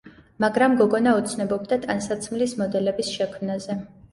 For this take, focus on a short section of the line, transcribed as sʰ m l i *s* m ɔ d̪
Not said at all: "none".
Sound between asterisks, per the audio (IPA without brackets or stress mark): s